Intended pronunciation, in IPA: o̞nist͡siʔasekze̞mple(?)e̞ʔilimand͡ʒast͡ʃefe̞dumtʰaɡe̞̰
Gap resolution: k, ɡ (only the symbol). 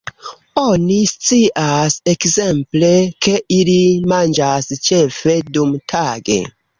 k